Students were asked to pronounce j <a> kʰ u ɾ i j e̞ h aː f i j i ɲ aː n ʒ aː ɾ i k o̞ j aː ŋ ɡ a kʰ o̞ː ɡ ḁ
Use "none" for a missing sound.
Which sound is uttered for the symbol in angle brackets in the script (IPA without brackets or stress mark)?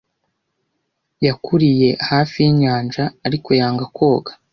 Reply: a